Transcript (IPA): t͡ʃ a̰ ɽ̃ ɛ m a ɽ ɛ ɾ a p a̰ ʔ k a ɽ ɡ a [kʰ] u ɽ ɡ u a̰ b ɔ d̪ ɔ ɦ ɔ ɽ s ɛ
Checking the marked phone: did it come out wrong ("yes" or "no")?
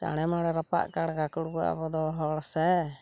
yes